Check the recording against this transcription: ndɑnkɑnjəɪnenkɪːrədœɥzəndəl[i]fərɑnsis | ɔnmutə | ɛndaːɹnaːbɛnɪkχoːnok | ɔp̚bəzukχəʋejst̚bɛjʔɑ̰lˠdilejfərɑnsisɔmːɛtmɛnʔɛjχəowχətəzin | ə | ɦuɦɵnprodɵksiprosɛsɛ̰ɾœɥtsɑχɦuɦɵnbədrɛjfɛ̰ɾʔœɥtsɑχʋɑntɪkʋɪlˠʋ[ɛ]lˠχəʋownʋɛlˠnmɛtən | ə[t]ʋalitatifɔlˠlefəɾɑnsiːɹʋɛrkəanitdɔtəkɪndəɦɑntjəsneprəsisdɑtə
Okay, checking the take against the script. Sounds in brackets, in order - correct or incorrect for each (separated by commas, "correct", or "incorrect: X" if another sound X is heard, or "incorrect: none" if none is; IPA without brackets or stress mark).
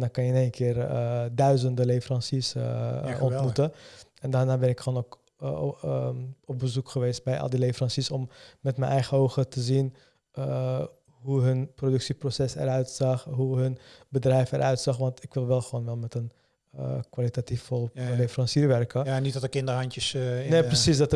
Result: incorrect: e, correct, incorrect: k